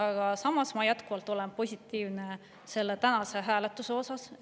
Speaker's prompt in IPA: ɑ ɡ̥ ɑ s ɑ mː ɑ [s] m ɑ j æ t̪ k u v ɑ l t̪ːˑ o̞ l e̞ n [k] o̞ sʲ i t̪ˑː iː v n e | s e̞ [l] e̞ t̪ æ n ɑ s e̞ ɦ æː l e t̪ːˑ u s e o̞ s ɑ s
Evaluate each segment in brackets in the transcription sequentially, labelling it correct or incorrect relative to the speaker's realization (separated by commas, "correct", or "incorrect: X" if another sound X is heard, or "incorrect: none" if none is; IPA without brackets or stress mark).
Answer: correct, incorrect: p, incorrect: lː